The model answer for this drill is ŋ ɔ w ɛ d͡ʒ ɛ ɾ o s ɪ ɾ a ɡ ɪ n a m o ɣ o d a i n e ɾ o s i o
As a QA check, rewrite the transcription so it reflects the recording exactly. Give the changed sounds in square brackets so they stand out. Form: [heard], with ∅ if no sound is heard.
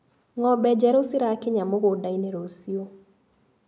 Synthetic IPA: ŋ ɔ [b] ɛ d͡ʒ ɛ ɾ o s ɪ ɾ a [k] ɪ [ɲ] a m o ɣ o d a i n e ɾ o s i o